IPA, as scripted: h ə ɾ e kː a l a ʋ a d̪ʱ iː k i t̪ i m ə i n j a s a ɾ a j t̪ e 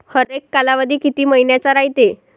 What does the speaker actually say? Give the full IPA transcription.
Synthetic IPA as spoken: h ə ɾ e kː a l a ʋ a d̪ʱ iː k i t̪ iː m ə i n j a t͡s a ɾ a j t̪ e